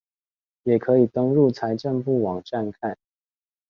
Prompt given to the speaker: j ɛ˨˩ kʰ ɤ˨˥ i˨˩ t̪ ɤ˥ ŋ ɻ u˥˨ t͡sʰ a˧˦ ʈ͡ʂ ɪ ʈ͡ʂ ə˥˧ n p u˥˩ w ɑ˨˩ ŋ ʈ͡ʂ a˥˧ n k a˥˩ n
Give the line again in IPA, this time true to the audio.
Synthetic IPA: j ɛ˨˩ kʰ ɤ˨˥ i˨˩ t̪ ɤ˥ ŋ ɻ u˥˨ t͡sʰ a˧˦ ɪ ʈ͡ʂ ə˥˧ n p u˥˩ w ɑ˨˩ ŋ ʈ͡ʂ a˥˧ n kʰ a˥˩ n